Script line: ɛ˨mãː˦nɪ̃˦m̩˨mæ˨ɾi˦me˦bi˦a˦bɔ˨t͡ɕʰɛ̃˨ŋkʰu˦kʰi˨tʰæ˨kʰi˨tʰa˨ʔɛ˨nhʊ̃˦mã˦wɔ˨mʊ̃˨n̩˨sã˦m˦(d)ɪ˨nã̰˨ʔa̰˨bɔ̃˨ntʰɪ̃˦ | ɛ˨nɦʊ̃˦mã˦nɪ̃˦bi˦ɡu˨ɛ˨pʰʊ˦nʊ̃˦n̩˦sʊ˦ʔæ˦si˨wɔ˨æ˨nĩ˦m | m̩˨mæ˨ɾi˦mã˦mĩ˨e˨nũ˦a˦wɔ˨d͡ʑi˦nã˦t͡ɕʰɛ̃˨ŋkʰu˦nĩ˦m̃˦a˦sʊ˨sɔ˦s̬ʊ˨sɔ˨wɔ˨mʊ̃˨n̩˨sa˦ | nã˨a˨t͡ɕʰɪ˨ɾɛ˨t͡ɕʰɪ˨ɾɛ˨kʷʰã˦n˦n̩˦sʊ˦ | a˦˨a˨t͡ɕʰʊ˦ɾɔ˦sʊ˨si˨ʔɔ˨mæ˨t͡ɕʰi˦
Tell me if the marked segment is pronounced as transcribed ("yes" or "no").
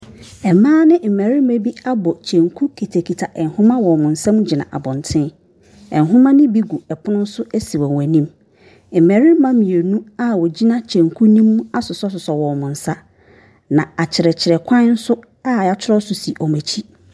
no